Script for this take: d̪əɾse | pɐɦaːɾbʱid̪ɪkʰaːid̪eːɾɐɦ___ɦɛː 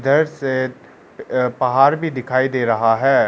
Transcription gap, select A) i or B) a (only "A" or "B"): B